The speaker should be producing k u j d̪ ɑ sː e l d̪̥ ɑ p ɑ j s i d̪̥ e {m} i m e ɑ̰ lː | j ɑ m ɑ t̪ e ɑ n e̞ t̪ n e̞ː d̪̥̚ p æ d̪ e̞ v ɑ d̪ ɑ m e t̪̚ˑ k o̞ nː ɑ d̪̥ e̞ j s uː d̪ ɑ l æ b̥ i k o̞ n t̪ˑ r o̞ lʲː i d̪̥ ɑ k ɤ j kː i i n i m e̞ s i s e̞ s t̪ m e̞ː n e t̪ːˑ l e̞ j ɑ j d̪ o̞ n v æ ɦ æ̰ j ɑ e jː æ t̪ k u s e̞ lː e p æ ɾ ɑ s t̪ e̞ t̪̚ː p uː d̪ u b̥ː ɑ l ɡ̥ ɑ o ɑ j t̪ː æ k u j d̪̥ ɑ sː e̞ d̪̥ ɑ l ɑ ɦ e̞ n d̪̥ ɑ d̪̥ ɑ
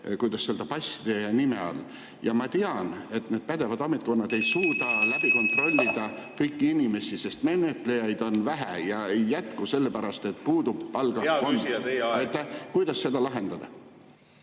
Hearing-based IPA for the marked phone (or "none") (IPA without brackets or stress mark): n